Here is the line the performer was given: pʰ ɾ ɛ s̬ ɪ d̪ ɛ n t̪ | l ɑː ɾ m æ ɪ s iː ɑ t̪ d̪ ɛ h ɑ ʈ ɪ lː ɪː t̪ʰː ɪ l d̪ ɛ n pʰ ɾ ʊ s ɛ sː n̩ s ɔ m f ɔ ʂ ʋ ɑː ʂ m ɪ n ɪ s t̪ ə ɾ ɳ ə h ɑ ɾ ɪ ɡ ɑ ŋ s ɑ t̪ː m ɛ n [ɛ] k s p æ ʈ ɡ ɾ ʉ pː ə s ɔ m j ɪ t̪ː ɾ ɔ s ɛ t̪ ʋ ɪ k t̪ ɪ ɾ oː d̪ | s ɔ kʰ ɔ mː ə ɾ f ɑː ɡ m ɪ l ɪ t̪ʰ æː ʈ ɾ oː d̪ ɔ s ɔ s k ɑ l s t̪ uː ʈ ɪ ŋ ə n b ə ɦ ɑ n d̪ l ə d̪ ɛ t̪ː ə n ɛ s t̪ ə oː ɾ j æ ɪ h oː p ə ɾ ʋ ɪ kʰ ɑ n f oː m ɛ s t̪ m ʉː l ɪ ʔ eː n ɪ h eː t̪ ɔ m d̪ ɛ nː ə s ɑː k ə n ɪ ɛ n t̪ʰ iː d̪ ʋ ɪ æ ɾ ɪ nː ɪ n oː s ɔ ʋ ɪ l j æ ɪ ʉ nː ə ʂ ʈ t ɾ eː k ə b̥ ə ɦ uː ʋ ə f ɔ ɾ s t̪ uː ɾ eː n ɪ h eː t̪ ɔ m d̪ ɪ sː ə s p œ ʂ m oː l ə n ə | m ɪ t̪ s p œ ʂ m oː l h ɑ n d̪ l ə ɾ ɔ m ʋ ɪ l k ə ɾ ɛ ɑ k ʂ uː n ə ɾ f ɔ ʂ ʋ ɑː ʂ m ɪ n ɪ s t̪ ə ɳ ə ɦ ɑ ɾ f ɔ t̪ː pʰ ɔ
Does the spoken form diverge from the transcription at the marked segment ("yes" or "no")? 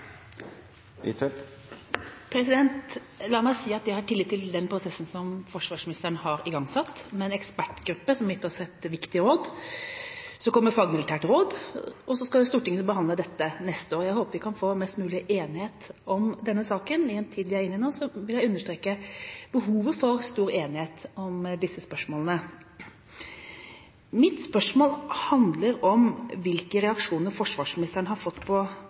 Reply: no